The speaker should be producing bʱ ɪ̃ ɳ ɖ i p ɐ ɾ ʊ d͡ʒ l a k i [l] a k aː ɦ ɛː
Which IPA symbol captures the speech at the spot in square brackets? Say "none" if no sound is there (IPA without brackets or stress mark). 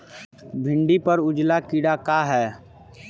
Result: ɽ